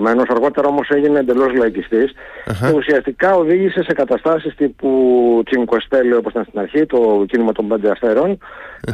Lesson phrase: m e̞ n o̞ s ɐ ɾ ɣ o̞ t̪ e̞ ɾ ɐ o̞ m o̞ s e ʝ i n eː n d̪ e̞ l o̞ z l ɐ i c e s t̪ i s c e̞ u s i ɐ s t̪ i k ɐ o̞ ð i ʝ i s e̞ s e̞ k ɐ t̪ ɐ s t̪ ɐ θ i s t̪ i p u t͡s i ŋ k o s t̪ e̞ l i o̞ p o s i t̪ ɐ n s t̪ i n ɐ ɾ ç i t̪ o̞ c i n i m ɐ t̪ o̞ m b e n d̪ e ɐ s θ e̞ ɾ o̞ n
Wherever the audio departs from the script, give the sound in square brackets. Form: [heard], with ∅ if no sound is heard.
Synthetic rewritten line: m e̞ n o̞ s ɐ ɾ ɣ o̞ t̪ e̞ ɾ ɐ o̞ m o̞ s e ʝ i n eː n d̪ e̞ l o̞ z l ɐ i c [i] s t̪ i s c e̞ u s i ɐ s t̪ i k ɐ o̞ ð i ʝ i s e̞ s e̞ k ɐ t̪ ɐ s t̪ ɐ [s] i s t̪ i p u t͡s i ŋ k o s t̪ e̞ l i o̞ p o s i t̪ ɐ n s t̪ i n ɐ ɾ ç i t̪ o̞ c i n i m ɐ t̪ o̞ m b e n d̪ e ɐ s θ e̞ ɾ o̞ n